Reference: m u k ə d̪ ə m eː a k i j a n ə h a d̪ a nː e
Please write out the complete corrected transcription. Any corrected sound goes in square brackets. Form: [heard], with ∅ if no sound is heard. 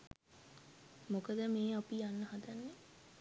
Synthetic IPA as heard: m [o] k ə d̪ ə m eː a [p] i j a [nː] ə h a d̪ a nː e

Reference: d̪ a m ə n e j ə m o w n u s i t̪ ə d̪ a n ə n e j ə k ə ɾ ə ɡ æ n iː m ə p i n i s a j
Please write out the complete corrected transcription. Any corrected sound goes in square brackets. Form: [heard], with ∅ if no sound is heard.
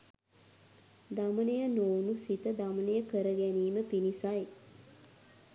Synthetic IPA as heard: d̪ a m ə n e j ə [n] o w n u s i t̪ ə d̪ a [m] ə n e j ə k ə ɾ ə ɡ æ n iː m ə p i n i s a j

